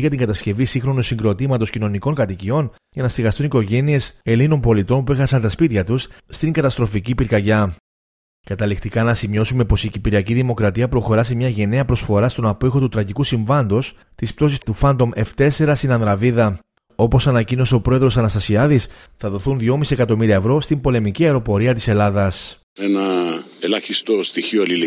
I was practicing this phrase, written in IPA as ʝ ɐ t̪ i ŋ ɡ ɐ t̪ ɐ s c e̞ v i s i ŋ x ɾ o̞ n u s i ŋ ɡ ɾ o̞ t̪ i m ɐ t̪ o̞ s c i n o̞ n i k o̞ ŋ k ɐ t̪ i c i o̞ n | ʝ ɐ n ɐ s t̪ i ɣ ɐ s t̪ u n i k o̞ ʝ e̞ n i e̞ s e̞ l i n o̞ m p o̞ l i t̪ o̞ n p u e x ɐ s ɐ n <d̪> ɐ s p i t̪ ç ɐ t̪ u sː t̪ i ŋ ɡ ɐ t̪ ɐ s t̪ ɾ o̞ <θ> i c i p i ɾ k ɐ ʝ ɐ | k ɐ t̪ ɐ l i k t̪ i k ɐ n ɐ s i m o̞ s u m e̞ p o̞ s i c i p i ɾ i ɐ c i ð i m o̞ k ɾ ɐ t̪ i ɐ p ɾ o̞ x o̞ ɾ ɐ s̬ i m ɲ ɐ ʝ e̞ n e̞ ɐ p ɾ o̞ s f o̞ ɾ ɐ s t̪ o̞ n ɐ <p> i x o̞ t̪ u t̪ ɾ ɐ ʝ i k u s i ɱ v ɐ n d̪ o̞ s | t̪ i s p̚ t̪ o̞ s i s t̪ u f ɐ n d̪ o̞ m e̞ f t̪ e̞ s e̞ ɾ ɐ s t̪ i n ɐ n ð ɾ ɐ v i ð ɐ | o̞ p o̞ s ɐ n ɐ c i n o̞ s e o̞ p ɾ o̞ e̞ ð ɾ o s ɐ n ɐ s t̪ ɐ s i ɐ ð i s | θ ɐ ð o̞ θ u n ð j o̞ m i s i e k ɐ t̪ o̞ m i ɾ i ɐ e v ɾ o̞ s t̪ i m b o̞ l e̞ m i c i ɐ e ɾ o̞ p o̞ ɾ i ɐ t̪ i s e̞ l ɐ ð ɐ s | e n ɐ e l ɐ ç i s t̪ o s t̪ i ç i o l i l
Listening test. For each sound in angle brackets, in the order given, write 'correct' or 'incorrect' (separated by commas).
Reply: incorrect, incorrect, correct